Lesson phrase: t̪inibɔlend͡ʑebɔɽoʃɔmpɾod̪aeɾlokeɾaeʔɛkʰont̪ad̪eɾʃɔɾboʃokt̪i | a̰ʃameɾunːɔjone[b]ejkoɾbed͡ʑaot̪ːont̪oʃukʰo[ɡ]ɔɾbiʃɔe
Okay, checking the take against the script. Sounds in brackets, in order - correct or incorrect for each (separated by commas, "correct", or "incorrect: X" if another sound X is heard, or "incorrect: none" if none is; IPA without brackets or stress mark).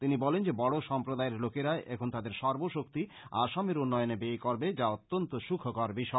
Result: correct, incorrect: k